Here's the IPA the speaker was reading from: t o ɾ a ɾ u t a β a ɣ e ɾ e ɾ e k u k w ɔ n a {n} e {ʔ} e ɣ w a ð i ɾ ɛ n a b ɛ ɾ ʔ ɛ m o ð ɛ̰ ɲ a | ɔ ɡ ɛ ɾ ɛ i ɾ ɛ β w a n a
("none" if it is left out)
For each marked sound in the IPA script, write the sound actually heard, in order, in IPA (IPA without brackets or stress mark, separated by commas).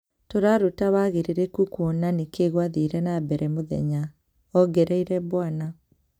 n, k